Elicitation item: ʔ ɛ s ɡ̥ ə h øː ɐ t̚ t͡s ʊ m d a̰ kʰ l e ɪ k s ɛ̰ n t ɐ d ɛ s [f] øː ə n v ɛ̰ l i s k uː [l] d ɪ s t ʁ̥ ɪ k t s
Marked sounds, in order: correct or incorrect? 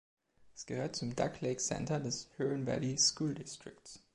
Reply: incorrect, correct

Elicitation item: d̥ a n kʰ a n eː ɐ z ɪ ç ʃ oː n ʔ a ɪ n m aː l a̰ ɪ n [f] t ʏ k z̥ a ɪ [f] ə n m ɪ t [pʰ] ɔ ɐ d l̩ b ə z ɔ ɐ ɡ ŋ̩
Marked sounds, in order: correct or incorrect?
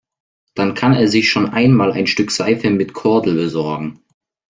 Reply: incorrect, correct, incorrect

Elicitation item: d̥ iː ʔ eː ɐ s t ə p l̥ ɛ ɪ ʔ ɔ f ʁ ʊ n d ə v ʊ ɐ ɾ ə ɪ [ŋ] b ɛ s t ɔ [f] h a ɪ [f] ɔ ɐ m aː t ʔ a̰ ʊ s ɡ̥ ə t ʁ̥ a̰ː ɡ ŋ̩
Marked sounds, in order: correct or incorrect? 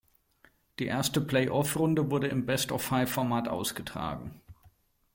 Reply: incorrect, correct, correct

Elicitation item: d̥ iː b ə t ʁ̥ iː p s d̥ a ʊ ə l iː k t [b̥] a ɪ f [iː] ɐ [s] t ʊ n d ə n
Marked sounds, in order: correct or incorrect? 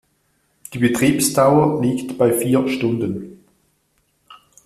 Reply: correct, correct, incorrect

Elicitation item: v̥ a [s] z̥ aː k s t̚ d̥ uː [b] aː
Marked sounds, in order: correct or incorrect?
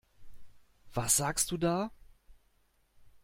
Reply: correct, incorrect

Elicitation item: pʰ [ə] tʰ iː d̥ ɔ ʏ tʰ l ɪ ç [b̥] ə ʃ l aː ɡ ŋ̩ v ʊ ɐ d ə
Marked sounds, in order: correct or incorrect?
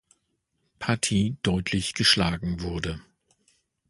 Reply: incorrect, incorrect

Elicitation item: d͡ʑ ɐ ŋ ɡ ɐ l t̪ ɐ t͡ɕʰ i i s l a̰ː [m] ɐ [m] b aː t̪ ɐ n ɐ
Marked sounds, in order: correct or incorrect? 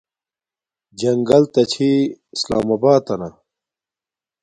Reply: correct, incorrect

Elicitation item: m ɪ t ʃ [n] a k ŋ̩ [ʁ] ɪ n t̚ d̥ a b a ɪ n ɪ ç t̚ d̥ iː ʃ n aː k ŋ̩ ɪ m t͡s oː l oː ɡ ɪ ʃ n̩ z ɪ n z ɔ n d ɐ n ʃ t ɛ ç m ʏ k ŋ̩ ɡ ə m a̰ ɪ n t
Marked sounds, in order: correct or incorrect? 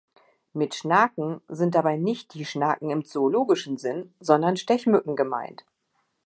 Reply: correct, incorrect

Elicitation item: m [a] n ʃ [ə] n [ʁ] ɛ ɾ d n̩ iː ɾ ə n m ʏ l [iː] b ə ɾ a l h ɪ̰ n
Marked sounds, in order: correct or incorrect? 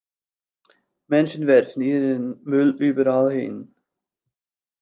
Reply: incorrect, correct, incorrect, incorrect

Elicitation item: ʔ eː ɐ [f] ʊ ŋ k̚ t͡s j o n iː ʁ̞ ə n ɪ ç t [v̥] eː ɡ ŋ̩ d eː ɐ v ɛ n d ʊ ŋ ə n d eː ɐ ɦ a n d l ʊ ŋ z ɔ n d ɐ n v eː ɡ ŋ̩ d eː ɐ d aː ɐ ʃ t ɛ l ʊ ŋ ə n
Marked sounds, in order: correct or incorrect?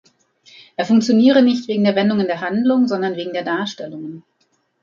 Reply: correct, correct

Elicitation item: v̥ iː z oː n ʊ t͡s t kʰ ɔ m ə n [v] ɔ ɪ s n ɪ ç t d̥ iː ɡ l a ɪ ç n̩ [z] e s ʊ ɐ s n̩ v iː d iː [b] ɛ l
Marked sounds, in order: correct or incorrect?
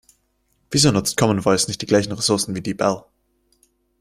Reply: correct, incorrect, correct

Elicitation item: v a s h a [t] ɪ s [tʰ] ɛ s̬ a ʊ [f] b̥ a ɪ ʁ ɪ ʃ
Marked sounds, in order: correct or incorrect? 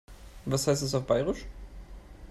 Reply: incorrect, incorrect, correct

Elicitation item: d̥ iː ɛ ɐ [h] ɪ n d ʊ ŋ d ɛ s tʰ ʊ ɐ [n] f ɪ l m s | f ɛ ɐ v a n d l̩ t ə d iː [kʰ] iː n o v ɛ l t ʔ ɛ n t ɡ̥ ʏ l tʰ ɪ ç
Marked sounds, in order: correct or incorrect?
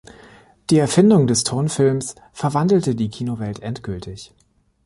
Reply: incorrect, correct, correct

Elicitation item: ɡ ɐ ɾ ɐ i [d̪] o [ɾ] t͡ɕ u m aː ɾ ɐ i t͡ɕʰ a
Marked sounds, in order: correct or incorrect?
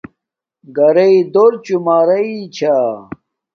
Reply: correct, correct

